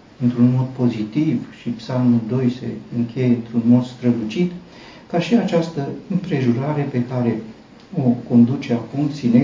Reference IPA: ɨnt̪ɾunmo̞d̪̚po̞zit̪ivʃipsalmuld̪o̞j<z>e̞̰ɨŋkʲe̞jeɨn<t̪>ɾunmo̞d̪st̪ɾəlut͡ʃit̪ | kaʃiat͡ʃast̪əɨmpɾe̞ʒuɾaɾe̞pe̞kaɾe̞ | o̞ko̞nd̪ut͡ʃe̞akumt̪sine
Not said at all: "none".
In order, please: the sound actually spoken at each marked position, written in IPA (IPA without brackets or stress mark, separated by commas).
s, t̪